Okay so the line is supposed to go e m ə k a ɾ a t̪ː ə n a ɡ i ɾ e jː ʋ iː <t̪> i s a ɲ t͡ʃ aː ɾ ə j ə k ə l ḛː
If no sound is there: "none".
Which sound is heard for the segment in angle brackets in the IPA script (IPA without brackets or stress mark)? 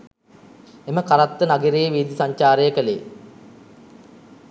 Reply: d̪